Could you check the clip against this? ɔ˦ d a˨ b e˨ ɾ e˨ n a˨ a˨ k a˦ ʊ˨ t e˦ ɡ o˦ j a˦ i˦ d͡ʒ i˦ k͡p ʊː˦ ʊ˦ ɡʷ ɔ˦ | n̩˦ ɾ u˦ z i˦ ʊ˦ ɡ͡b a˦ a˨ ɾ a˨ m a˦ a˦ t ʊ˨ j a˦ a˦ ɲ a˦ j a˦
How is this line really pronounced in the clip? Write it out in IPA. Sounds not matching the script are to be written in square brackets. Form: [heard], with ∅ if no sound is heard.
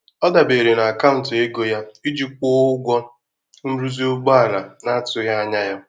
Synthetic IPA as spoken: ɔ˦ d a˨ b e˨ ɾ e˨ n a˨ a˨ k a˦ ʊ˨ t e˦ ɡ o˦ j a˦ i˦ d͡ʒ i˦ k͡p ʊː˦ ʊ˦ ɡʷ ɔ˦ | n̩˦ ɾ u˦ z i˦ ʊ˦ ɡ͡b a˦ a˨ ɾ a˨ [n] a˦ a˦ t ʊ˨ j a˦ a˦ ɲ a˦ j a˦